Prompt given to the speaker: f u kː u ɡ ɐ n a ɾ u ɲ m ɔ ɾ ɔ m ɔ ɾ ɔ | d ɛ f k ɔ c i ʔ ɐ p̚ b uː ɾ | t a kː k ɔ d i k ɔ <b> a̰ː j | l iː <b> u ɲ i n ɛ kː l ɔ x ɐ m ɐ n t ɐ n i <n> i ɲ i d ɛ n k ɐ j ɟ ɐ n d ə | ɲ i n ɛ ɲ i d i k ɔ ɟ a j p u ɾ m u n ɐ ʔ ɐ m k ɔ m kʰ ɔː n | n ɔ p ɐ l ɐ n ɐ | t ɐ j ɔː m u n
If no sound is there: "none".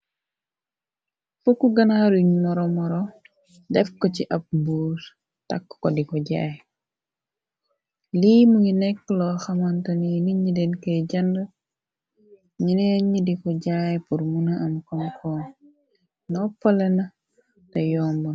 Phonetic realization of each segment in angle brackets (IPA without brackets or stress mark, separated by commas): ɟ, m, n